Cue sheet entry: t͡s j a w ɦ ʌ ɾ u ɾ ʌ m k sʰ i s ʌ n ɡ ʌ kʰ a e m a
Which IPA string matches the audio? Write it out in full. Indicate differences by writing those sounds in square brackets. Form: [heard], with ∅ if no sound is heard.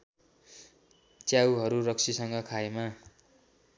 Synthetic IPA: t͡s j a w ɦ ʌ ɾ u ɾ ʌ [∅] k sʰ i s ʌ [ŋ] ɡ ʌ kʰ a e m a